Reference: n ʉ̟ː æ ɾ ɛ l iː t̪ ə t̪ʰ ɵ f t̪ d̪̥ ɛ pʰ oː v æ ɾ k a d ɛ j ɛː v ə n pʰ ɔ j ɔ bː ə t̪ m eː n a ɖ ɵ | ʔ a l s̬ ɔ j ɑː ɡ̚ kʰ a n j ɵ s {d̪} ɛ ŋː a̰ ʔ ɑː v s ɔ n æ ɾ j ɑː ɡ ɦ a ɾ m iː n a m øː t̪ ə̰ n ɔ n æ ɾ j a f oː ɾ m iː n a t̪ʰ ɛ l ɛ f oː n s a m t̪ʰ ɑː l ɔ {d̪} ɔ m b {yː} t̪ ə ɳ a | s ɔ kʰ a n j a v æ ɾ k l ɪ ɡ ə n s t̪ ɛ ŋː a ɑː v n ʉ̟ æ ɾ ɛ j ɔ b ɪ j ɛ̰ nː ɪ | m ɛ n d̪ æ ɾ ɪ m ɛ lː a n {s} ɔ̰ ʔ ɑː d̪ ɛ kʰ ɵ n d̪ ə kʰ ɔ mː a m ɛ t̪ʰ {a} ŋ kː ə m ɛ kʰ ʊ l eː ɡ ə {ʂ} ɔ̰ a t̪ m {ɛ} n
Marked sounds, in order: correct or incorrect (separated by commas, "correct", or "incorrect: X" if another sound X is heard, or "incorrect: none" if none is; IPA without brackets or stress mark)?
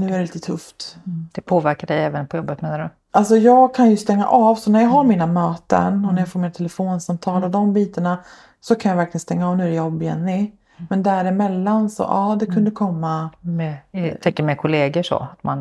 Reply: incorrect: t̪, correct, incorrect: iː, correct, incorrect: ɛ, correct, incorrect: a